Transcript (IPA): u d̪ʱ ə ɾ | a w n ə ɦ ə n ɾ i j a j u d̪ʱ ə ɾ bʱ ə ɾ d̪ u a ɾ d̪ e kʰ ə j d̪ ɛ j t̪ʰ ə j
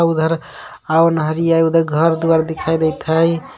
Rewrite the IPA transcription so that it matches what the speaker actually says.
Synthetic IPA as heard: u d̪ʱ ə ɾ | a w n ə ɦ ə ɾ i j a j u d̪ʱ ə ɾ ɡʱ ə ɾ d̪ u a ɾ d̪ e kʰ a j d̪ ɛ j t̪ʰ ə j